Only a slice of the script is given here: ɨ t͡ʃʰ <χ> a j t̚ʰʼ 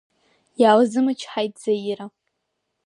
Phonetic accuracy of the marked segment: incorrect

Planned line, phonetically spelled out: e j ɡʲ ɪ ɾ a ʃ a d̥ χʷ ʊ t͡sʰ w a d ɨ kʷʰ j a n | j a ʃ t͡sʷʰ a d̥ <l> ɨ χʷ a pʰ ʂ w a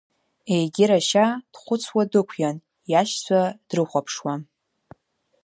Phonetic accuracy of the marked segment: incorrect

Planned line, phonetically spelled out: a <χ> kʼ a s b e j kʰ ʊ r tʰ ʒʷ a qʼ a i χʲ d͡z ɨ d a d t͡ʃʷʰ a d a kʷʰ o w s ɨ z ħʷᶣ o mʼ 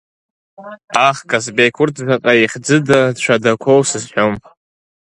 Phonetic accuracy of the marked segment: correct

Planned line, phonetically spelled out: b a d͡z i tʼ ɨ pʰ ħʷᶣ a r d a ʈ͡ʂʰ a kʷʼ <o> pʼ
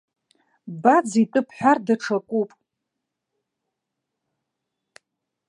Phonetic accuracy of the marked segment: incorrect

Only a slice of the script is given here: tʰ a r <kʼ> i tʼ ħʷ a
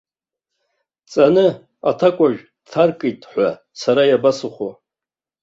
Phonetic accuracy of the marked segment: correct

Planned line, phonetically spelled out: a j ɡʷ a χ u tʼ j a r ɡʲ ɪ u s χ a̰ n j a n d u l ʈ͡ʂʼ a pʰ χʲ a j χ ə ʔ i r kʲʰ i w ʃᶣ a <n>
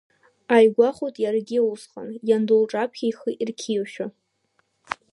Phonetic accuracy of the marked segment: incorrect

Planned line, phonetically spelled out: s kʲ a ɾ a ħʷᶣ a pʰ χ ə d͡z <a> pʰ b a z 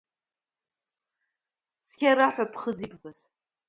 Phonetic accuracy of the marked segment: incorrect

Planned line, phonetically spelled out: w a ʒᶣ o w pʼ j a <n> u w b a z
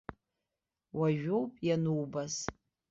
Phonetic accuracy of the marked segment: correct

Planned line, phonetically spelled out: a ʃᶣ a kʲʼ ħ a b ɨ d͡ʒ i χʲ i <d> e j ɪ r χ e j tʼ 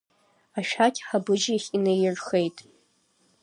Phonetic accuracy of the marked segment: incorrect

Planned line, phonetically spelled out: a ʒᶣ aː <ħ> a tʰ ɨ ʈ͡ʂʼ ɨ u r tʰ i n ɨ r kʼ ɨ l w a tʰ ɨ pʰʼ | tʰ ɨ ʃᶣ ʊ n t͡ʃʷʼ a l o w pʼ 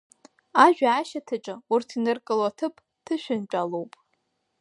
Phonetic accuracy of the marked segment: incorrect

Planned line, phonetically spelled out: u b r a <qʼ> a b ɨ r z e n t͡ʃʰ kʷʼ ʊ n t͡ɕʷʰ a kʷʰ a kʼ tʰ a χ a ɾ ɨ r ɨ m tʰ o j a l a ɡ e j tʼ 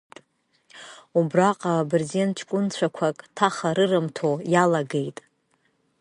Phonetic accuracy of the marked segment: correct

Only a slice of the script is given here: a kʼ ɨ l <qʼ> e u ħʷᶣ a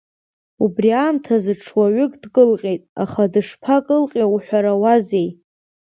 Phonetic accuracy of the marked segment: correct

